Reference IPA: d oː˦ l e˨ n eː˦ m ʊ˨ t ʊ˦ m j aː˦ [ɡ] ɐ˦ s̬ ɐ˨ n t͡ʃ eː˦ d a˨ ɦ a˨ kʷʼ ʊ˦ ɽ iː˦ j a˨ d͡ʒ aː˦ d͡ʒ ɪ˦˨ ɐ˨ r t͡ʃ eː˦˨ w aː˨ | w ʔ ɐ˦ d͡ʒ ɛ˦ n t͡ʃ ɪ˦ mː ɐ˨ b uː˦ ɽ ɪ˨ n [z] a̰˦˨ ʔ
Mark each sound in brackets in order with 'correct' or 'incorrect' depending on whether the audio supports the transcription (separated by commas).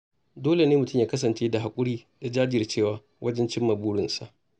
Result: incorrect, incorrect